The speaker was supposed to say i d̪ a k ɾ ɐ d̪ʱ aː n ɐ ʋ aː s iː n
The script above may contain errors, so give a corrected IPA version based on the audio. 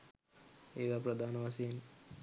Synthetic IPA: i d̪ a p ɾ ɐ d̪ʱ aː n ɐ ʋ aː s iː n